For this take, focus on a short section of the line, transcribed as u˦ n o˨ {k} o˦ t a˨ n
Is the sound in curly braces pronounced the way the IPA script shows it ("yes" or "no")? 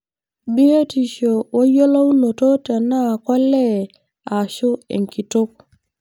no